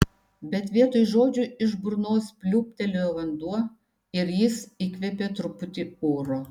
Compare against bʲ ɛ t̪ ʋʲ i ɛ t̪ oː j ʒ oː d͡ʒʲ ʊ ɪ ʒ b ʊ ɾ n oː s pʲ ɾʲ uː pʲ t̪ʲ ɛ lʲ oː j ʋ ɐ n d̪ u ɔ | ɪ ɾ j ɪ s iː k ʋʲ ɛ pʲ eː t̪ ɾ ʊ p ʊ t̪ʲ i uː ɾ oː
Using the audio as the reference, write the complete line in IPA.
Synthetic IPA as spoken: bʲ ɛ t̪ ʋʲ i ɛ t̪ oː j ʒ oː d͡ʒʲ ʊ ɪ ʒ b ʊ ɾ n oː s pʲ lʲ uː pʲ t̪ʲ ɛ lʲ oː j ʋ ɐ n d̪ u ɔ | ɪ ɾ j ɪ s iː k ʋʲ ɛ pʲ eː t̪ ɾ ʊ p ʊ t̪ʲ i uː ɾ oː